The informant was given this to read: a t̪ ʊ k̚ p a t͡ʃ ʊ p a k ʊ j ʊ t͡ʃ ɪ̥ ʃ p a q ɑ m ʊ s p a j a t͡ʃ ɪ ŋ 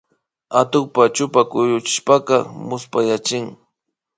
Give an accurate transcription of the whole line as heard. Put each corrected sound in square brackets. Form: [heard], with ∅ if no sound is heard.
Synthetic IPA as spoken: a t̪ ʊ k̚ p a t͡ʃ ʊ p a k ʊ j ʊ t͡ʃ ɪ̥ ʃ p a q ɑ m ʊ s p a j a t͡ʃ ɪ ŋ